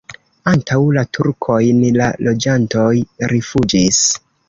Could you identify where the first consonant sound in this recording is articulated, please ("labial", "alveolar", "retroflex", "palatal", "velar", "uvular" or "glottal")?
alveolar